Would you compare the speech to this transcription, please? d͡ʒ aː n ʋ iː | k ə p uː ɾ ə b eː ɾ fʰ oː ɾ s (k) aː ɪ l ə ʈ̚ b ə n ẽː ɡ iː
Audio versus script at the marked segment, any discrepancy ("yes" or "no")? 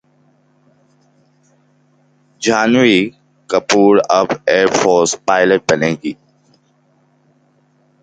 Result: yes